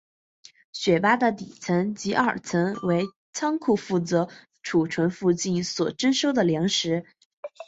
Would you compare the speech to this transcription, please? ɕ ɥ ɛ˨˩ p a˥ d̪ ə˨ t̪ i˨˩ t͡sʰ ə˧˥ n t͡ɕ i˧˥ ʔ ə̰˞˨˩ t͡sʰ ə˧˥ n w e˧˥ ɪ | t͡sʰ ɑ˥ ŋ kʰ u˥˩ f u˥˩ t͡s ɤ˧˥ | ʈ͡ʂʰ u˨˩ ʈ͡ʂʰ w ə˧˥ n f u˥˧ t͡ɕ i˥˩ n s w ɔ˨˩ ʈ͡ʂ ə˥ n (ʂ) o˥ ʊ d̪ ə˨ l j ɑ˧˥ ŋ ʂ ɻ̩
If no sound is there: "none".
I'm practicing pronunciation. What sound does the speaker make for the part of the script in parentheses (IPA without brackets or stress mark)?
ʂ